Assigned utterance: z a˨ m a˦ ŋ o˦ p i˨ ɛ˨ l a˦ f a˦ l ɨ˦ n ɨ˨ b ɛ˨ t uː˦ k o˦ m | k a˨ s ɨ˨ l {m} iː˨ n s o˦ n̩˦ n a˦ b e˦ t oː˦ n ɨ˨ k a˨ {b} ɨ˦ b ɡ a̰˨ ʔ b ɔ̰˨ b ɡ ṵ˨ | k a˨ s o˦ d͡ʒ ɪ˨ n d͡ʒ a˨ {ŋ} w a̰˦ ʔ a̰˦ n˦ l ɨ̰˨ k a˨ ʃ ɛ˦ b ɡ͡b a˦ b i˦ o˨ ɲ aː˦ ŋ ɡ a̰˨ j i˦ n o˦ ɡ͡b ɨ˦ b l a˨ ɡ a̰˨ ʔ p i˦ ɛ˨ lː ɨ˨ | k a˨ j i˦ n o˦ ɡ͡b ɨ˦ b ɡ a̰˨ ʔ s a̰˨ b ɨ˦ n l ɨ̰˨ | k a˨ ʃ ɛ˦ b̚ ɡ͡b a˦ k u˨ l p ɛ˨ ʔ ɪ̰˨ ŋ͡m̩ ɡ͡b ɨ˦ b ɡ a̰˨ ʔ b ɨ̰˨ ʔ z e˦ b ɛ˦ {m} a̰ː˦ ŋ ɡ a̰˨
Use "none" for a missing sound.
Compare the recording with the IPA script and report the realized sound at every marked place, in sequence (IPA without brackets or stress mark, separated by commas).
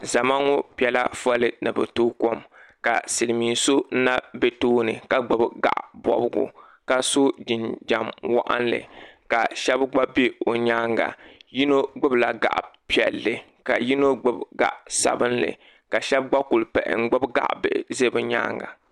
m, ɡ͡b, m, ɲ